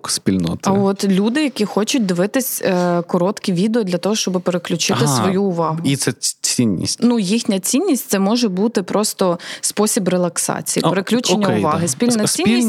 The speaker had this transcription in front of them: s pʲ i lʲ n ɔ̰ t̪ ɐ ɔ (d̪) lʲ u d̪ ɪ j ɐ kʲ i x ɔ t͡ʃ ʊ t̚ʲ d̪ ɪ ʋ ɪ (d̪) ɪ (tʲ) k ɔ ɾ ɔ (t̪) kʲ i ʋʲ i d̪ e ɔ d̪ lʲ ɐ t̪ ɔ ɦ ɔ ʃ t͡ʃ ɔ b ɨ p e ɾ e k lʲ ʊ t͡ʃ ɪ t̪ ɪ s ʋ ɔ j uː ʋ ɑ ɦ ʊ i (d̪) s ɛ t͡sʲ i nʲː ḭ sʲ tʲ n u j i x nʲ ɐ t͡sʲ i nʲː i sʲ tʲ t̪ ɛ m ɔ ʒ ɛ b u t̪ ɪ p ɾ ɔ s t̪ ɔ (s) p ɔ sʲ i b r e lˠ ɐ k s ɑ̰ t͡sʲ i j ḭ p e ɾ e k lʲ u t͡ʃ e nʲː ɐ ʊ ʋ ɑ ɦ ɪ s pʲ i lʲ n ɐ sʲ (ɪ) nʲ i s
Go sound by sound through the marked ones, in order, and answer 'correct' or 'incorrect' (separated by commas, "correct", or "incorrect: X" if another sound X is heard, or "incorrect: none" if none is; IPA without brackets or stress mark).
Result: incorrect: t̪, incorrect: t̪, incorrect: sʲ, correct, incorrect: t̪, correct, incorrect: i